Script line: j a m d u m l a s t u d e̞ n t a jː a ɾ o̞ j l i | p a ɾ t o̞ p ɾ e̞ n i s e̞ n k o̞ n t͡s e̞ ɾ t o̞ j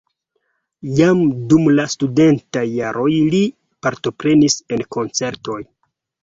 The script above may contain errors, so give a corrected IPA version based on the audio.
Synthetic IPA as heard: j a m d u m l a s t u d e̞ n t a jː a ɾ o̞ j l i | p a ɾ t o̞ p ɾ e̞ n i s e̞ n k o̞ n t͡s e̞ ɾ t o̞ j